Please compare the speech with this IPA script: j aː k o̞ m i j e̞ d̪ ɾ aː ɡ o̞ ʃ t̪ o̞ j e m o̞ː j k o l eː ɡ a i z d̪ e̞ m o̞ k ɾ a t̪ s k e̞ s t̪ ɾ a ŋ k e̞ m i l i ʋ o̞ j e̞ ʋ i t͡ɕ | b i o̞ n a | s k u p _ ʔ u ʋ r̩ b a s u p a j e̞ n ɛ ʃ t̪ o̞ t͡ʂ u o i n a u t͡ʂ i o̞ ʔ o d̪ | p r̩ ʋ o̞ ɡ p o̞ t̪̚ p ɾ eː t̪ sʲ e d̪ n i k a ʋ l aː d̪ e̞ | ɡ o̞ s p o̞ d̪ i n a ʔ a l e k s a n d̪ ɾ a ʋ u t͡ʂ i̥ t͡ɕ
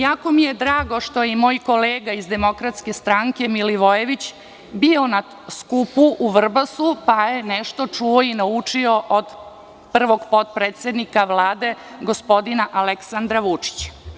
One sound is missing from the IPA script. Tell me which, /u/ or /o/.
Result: u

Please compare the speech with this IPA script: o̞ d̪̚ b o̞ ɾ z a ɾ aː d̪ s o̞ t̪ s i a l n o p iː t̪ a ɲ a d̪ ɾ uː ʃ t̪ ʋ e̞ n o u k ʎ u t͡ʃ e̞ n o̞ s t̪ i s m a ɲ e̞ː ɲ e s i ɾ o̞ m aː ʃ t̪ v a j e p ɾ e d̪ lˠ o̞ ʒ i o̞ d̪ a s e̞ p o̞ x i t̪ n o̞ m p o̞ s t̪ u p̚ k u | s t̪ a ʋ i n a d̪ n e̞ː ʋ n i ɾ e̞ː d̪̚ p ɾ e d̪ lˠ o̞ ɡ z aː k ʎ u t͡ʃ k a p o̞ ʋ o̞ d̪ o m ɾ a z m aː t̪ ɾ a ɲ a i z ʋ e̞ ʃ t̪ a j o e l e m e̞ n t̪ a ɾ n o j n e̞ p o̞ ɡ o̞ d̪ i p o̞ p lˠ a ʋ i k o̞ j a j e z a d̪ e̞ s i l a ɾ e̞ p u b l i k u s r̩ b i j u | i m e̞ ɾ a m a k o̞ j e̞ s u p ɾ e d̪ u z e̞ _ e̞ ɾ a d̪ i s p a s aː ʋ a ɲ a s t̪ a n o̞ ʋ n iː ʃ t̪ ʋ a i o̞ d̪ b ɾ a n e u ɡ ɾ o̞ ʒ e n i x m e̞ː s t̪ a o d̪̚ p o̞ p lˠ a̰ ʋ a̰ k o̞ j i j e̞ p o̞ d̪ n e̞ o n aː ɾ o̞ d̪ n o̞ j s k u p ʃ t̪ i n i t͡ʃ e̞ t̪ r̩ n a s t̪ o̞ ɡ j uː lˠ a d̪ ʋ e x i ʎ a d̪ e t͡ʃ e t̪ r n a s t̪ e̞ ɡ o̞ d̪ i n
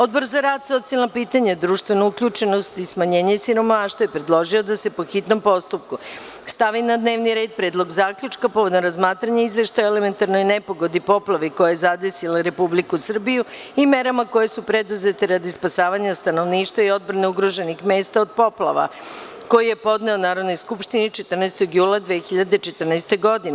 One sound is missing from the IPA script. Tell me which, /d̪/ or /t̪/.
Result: t̪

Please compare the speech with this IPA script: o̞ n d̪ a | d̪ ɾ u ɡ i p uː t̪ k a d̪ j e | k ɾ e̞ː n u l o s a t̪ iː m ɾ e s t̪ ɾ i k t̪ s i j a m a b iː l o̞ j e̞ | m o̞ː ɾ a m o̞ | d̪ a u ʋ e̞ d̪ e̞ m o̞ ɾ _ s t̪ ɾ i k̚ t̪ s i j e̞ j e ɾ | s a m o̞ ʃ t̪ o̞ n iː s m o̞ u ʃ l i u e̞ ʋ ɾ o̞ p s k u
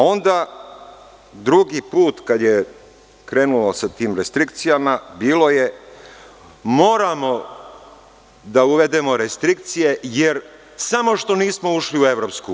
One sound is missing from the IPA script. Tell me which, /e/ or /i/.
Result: e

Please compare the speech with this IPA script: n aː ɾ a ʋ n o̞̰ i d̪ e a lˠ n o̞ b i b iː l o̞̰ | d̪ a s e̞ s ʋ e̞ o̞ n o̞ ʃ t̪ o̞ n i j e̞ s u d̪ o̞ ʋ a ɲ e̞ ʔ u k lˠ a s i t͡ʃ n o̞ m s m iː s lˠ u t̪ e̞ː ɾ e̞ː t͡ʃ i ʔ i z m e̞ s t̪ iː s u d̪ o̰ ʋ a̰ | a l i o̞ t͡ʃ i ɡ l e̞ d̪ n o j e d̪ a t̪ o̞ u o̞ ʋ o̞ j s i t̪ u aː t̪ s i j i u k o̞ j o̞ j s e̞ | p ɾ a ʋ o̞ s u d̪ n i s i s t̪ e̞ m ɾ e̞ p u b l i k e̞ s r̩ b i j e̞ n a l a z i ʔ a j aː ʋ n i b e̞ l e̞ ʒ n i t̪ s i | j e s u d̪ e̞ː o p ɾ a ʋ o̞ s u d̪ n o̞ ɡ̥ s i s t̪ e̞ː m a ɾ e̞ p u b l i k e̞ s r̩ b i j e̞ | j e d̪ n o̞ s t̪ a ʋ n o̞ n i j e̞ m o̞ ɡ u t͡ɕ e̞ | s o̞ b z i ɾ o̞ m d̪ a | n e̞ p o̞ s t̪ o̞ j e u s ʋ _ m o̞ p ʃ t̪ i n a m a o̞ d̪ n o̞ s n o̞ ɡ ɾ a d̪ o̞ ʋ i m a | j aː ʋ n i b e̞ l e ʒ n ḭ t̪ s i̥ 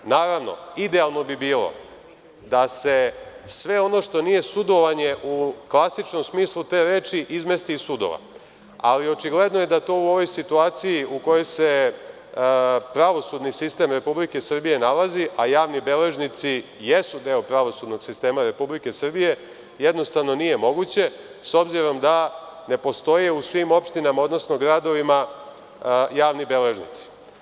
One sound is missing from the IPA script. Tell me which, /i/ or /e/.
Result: i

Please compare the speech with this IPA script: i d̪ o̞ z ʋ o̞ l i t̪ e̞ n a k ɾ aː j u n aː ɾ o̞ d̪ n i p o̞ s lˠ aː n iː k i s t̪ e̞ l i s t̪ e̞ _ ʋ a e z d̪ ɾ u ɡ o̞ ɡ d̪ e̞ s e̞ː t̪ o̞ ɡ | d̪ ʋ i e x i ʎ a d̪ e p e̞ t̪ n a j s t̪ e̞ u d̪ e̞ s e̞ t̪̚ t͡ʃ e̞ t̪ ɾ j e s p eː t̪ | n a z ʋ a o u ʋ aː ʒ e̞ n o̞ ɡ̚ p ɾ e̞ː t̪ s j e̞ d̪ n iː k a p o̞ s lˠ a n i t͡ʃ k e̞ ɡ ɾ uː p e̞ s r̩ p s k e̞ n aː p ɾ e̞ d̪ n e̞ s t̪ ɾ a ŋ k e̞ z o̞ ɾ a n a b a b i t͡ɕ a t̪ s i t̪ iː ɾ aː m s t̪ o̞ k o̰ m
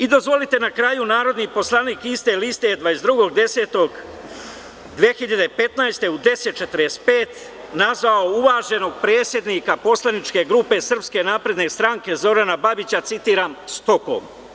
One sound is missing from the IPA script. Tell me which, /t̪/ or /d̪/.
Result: d̪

